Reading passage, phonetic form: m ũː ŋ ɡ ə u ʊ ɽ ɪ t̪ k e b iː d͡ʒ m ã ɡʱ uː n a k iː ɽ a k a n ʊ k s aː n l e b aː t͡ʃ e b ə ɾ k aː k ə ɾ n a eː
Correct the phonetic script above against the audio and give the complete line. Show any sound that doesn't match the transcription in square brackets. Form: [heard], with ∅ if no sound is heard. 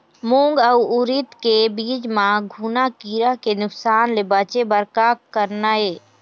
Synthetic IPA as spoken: m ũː ŋ ɡ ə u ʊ [ɾ] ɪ t̪ k e b iː d͡ʒ m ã ɡʱ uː n a k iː [ɾ] a k [e] n ʊ k s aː n l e b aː t͡ʃ e b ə ɾ k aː k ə ɾ n a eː